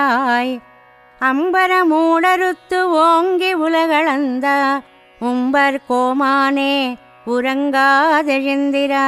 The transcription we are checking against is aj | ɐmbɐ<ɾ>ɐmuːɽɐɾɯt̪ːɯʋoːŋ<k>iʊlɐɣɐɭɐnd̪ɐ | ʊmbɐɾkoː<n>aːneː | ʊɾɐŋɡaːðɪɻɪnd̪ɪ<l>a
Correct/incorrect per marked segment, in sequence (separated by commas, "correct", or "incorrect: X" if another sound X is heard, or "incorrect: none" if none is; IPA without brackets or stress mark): correct, incorrect: ɡ, incorrect: m, incorrect: ɾ